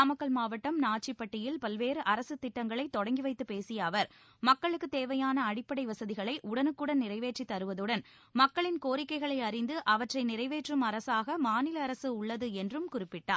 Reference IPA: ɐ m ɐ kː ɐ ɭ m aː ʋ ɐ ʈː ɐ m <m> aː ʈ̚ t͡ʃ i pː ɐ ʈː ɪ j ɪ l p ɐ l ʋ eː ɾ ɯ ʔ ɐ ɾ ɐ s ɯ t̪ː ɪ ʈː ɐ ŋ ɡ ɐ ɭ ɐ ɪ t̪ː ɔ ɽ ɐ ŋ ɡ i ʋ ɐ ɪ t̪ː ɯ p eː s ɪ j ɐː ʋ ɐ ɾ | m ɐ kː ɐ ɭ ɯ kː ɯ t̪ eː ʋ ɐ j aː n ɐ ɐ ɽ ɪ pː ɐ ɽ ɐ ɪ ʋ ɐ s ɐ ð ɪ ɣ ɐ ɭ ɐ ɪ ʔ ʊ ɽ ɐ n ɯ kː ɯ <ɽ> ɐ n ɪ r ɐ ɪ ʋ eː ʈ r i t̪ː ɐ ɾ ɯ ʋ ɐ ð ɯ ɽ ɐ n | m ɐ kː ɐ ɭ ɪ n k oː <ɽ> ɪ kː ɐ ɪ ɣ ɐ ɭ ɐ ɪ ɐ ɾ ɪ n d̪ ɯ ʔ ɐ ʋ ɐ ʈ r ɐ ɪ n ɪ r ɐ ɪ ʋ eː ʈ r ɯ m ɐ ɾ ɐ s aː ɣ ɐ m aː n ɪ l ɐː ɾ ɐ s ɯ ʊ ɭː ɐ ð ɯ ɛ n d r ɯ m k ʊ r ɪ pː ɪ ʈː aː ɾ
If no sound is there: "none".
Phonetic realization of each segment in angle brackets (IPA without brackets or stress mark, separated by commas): n, ɽ, ɾ